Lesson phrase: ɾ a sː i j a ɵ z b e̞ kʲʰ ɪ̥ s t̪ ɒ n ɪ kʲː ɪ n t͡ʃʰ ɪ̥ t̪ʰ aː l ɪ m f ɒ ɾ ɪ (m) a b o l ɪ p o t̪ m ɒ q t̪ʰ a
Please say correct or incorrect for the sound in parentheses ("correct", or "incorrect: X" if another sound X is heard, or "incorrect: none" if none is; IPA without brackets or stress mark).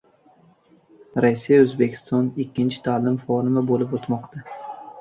correct